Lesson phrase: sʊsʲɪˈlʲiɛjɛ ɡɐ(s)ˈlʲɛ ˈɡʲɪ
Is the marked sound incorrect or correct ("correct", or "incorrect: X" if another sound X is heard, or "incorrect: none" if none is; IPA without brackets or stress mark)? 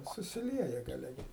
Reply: incorrect: none